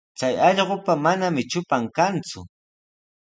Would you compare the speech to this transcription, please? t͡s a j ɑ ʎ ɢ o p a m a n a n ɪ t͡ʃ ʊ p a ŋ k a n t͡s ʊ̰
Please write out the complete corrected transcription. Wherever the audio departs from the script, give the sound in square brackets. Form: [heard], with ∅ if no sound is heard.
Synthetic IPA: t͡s a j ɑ ʎ ɢ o p a m a n a [m] ɪ t͡ʃ ʊ p a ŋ k a n t͡s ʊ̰